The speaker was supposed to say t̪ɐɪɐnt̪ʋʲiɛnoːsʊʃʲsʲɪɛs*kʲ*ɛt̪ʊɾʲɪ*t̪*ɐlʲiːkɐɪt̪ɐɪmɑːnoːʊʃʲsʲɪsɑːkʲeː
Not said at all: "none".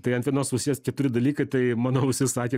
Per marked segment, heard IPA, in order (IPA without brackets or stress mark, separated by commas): kʲ, d̪